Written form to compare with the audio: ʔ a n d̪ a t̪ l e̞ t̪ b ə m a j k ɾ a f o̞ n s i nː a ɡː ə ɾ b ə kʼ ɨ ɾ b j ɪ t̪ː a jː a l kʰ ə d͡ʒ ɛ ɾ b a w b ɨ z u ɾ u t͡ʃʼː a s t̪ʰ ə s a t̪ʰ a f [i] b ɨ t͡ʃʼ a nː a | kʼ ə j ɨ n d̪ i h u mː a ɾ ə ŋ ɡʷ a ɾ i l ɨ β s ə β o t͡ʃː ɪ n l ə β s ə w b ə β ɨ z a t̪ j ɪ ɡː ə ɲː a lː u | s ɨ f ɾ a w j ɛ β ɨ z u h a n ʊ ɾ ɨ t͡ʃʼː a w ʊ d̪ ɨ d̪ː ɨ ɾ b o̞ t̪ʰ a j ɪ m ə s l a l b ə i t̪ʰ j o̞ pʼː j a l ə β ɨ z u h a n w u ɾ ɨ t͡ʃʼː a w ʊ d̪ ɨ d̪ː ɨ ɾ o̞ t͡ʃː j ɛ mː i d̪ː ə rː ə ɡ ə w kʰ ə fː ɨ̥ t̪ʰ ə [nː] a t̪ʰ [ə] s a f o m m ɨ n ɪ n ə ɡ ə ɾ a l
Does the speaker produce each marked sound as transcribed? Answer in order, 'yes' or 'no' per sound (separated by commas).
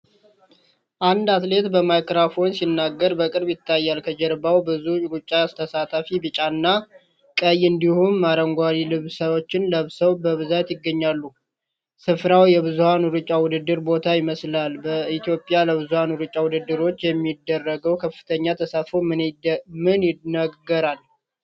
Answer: yes, no, yes